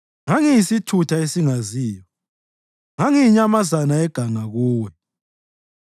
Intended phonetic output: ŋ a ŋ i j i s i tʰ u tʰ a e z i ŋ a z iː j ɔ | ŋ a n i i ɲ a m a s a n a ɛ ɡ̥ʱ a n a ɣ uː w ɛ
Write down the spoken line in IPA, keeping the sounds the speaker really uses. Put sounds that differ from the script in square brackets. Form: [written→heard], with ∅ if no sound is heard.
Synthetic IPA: ŋ a ŋ i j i s i tʰ u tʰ a e [z→s] i ŋ a z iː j ɔ | ŋ a [n→ŋ] i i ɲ a m a [s→z] a n a ɛ ɡ̥ʱ a [n→ŋ] a ɣ uː w ɛ